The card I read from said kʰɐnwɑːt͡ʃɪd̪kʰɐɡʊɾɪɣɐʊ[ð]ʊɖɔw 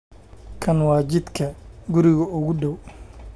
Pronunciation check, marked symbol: incorrect: ɣ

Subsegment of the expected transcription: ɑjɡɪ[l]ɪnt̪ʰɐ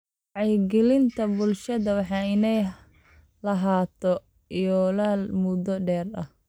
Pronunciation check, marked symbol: correct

